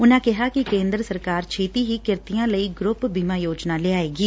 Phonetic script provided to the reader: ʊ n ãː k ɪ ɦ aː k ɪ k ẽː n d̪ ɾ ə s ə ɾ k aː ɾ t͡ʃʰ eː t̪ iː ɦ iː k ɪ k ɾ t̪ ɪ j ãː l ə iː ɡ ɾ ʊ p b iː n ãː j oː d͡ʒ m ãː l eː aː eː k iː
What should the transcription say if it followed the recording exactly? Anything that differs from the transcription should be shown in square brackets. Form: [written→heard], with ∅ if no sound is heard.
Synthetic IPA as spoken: ʊ n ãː k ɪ ɦ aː k ɪ k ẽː n d̪ ɾ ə s ə ɾ k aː ɾ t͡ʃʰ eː t̪ iː ɦ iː k ɪ [k→∅] ɾ t̪ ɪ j ãː l ə iː ɡ ɾ ʊ p b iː [n→m] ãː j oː d͡ʒ [m→n] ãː l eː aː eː [k→ɡ] iː